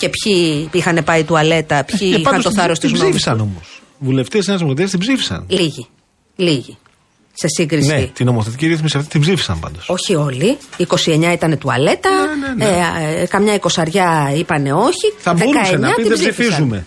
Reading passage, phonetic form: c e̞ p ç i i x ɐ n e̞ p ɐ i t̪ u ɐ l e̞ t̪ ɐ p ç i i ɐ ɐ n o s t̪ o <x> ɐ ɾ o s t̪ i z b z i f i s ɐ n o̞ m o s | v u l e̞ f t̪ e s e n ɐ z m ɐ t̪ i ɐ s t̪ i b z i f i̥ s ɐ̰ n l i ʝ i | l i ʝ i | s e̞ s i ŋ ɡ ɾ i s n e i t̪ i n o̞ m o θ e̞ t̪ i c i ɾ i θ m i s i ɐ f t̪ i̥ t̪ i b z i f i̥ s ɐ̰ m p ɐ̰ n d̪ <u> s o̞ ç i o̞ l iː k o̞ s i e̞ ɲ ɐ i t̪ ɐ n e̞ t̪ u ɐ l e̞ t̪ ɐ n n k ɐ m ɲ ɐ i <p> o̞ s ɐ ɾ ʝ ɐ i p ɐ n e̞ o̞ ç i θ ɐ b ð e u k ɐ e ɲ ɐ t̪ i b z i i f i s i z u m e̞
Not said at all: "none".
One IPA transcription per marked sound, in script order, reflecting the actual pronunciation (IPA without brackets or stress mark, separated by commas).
θ, o, k